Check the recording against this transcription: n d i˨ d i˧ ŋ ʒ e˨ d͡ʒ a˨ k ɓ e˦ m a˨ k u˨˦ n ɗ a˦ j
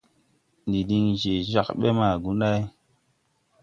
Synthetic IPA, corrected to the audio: n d i˨ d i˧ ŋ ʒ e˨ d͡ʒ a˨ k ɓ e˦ m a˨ ɡ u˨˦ n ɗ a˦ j